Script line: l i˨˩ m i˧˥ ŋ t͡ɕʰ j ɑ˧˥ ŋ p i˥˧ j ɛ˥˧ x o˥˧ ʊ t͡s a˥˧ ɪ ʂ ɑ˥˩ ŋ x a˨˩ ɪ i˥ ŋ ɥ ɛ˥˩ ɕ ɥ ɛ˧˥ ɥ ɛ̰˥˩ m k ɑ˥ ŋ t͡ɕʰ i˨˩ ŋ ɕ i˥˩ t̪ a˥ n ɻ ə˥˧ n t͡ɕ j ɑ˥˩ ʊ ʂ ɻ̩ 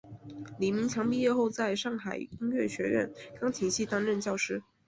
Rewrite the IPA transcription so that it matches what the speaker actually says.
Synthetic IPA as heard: l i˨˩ m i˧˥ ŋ t͡ɕʰ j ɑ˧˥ ŋ p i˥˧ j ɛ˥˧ x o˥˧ ʊ t͡s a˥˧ ɪ ʂ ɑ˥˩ ŋ x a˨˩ ɪ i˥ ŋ ɥ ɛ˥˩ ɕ ɥ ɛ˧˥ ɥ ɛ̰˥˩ n k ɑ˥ ŋ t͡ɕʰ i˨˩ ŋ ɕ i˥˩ t̪ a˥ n ɻ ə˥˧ n t͡ɕ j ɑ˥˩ ʊ ʂ ɻ̩